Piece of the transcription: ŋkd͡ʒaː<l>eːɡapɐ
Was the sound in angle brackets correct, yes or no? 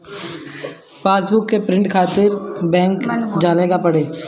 yes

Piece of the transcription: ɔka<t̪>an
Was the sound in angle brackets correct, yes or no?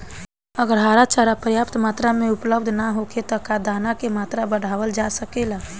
no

